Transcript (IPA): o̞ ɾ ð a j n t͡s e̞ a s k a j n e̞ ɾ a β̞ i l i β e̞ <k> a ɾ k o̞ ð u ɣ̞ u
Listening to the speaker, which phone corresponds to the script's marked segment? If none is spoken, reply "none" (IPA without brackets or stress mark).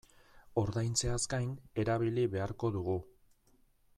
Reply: none